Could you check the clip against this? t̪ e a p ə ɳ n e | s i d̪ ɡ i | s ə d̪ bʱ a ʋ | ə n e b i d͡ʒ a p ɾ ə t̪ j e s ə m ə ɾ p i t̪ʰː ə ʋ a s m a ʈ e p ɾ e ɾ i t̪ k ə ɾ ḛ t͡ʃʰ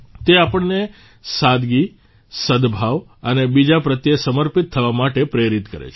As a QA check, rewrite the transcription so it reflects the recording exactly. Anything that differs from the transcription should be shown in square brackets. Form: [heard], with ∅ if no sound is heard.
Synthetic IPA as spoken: t̪ e a p ə ɳ n e | s [a] d̪ ɡ i | s ə d̪ bʱ a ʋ | ə n e b i d͡ʒ a p ɾ ə t̪ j e s ə m ə ɾ p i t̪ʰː ə ʋ a [∅] m a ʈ e p ɾ e ɾ i t̪ k ə ɾ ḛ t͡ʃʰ